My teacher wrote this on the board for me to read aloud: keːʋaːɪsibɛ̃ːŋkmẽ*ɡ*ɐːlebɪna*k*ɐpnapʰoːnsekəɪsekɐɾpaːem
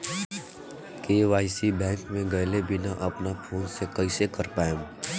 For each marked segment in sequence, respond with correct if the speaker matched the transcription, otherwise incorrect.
correct, incorrect: ʔ

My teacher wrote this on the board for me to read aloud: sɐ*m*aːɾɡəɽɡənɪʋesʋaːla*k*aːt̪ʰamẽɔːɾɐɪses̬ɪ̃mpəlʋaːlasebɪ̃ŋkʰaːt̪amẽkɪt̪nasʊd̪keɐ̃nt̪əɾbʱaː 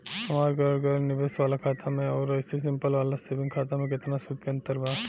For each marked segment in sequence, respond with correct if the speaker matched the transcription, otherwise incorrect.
correct, incorrect: kʰ

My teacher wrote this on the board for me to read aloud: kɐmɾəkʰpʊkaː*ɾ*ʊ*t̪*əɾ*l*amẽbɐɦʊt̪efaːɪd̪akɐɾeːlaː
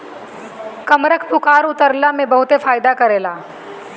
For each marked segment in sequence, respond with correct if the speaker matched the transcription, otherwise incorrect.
correct, correct, correct

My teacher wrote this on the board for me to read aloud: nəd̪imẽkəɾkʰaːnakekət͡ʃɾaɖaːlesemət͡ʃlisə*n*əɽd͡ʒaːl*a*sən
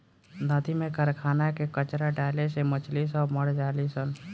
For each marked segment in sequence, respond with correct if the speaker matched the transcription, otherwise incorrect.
incorrect: m, incorrect: i

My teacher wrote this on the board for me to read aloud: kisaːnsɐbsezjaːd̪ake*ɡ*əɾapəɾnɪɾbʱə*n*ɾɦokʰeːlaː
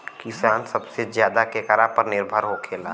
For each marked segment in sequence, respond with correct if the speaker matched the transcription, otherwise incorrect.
incorrect: k, incorrect: none

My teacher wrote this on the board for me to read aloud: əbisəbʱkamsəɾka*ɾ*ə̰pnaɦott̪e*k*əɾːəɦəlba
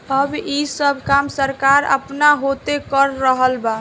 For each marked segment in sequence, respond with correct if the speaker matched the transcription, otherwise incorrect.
correct, correct

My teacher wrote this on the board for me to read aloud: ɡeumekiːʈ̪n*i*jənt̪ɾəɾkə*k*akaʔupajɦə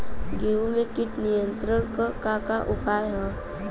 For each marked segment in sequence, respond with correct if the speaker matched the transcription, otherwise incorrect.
correct, correct

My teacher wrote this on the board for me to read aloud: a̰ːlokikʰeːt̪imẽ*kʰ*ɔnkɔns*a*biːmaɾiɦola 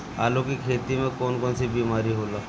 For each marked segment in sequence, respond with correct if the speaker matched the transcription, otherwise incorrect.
incorrect: k, incorrect: i

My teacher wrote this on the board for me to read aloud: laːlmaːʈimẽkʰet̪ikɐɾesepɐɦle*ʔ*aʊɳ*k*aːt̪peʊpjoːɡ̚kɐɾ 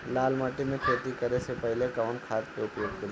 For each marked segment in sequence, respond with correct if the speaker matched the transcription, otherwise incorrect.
incorrect: k, incorrect: kʰ

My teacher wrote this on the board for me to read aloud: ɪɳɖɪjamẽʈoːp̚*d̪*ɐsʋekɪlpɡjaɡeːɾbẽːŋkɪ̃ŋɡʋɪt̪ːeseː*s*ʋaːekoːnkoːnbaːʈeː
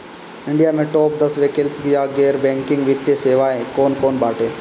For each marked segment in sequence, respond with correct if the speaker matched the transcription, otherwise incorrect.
correct, incorrect: none

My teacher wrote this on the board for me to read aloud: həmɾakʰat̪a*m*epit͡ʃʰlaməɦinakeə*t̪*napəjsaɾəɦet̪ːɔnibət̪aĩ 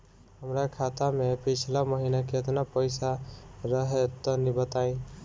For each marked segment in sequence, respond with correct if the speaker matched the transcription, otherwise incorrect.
correct, correct

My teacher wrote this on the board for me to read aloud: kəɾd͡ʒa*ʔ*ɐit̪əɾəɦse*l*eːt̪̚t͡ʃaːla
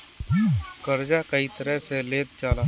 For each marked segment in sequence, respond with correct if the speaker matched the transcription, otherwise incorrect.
incorrect: k, correct

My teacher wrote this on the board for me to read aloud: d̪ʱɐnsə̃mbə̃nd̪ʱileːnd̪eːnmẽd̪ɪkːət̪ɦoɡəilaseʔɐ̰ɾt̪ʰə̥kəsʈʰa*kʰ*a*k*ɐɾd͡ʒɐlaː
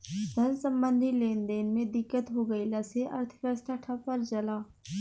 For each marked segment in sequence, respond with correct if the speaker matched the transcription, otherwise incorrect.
incorrect: ʈʰ, incorrect: p

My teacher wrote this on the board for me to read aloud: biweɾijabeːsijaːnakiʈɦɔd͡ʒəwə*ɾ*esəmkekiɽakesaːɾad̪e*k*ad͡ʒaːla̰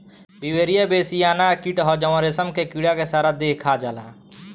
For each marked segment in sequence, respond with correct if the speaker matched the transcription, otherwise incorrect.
correct, incorrect: kʰ

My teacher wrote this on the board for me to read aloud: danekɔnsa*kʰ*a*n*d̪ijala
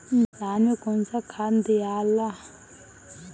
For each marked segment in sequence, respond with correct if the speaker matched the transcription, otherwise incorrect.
correct, correct

